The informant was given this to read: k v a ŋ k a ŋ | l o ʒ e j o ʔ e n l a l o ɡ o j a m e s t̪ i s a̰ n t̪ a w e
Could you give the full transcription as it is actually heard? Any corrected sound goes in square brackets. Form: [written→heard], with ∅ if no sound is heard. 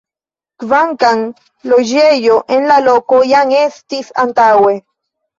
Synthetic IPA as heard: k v a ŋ k a ŋ | l o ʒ e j o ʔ e n l a l o [ɡ→k] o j a [m→ŋ] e s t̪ i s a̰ n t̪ a w e